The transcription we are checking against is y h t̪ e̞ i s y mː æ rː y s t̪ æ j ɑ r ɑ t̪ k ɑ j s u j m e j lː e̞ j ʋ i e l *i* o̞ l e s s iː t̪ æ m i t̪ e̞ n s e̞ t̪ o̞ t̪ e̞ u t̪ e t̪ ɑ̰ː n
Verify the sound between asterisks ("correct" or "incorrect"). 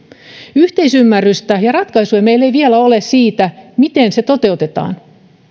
incorrect